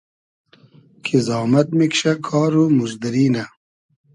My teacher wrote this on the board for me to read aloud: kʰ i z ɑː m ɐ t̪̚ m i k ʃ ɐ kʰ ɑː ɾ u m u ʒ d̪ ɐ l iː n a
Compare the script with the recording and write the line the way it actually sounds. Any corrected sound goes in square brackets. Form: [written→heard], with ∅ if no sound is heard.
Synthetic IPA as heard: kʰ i z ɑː m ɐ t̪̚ m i k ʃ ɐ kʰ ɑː ɾ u m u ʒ d̪ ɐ [l→ɾ] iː n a

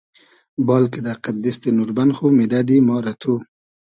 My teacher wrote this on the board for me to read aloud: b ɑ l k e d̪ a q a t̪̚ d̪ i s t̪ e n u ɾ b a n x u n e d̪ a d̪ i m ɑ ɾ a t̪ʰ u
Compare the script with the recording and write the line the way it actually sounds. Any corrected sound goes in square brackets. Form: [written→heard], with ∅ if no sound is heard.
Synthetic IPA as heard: b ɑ l k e d̪ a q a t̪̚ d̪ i s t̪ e n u ɾ b a n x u [n→m] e d̪ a d̪ i m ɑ ɾ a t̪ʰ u

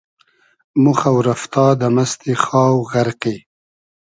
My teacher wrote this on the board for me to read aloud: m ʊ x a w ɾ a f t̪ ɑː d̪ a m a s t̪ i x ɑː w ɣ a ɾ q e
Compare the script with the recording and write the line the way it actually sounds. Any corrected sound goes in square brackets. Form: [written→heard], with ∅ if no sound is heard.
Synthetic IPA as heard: m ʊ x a w ɾ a f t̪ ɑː d̪ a m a s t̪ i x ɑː w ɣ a ɾ q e

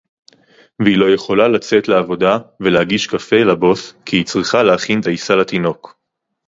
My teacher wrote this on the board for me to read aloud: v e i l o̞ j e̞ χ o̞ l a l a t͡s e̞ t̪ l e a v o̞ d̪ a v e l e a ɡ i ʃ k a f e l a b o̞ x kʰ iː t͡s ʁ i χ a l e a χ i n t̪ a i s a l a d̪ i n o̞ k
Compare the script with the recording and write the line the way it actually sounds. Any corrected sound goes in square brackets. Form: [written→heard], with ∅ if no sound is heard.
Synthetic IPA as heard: v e i l o̞ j e̞ χ o̞ l a l a t͡s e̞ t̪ l e a v o̞ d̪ a v e l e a ɡ i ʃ k a f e l a b o̞ [x→s] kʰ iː t͡s ʁ i χ a l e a χ i n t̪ a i s a l a [d̪→t̪] i n o̞ k

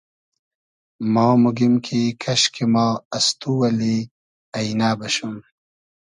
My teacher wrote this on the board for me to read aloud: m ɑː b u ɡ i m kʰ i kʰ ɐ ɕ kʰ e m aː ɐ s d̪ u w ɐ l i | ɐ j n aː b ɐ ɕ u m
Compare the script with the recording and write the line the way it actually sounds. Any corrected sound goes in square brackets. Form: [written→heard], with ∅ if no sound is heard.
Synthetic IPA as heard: m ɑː [b→m] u ɡ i m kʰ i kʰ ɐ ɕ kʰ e m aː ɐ s [d̪→t̪] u w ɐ l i | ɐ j n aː b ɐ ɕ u m

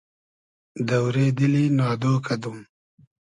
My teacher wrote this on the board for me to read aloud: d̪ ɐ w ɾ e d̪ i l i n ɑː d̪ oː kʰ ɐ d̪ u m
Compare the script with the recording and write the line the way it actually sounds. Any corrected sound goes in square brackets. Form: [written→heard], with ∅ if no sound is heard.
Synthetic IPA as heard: d̪ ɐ w ɾ e d̪ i l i n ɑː d̪ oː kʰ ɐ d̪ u m

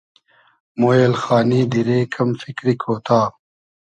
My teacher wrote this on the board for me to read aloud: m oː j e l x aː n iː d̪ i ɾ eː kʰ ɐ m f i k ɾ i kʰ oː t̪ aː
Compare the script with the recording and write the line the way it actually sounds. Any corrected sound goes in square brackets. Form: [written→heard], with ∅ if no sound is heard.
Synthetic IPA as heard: m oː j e l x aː n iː d̪ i ɾ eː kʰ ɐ m f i k ɾ i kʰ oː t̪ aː

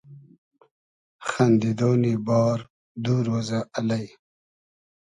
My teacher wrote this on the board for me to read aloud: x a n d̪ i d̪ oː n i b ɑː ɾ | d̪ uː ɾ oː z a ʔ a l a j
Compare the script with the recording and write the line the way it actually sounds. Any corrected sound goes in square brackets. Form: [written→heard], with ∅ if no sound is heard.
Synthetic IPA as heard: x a n d̪ i d̪ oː n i b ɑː ɾ | d̪ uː ɾ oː z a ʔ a l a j

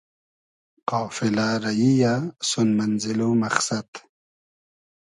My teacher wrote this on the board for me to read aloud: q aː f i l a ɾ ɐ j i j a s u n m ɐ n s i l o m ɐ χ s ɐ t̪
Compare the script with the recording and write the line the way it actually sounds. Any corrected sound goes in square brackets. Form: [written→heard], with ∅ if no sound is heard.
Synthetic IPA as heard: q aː f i l a ɾ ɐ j i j a s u n m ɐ n [s→z] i l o m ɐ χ s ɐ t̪

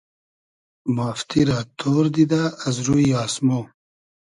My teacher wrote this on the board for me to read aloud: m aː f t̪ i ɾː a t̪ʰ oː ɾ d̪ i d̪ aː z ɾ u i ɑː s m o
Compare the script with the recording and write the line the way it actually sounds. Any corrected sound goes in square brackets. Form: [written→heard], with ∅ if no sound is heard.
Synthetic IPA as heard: m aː f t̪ i [ɾː→ɾ] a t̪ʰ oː ɾ d̪ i d̪ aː z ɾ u i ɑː s m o

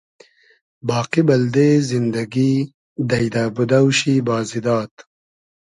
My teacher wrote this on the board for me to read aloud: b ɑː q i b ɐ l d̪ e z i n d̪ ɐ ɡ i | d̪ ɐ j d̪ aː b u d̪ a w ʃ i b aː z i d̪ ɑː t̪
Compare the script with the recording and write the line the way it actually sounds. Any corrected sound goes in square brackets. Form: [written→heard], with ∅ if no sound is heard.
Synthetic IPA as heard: b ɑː q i b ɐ l d̪ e z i n d̪ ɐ ɡ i | d̪ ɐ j d̪ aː b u d̪ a w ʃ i b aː z i d̪ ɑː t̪

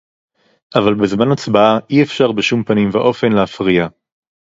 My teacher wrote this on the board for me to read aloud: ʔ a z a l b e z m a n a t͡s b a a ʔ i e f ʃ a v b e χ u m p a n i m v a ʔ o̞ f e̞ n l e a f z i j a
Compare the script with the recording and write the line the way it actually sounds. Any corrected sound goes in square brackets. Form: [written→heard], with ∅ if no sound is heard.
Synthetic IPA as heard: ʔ a [z→v] a l b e z m a n a t͡s b a a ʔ i e f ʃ a [v→ʁ] b e [χ→ʃ] u m p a n i m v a ʔ o̞ f e̞ n l e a f [z→ʁ] i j a

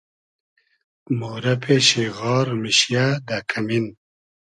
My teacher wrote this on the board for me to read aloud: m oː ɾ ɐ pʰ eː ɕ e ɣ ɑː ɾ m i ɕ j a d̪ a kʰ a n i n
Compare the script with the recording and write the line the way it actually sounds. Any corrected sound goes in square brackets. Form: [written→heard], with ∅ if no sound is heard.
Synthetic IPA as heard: m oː ɾ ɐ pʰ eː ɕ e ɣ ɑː ɾ m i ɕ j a d̪ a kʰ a [n→m] i n

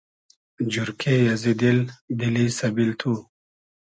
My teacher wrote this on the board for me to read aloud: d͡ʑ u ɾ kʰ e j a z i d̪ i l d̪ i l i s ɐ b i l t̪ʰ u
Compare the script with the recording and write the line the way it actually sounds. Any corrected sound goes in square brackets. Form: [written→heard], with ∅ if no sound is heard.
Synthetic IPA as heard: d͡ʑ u ɾ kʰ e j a z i d̪ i l d̪ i l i s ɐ b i l t̪ʰ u

